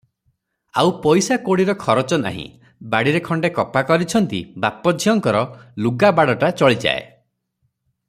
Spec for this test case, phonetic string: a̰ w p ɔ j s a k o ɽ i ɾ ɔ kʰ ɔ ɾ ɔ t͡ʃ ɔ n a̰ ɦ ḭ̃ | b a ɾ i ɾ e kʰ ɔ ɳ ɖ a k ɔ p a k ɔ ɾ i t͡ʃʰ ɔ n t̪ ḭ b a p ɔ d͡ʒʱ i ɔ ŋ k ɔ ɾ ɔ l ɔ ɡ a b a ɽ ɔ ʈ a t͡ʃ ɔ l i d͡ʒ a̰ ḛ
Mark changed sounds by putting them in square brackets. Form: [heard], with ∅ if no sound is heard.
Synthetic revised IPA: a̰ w p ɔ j s a k o ɽ i ɾ ɔ kʰ ɔ ɾ ɔ t͡ʃ ɔ n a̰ ɦ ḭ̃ | b a [ɽ] i ɾ e kʰ ɔ ɳ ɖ [e] k ɔ p a k ɔ ɾ i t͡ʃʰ ɔ n t̪ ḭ b a p ɔ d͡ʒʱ i ɔ ŋ k ɔ ɾ ɔ l [u] ɡ a b a ɽ ɔ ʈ a t͡ʃ ɔ [ɭ] i d͡ʒ a̰ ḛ